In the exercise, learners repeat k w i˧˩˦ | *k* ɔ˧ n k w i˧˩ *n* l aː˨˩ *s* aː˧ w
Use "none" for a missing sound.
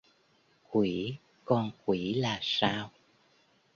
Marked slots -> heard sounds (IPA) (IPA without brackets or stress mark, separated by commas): k, none, s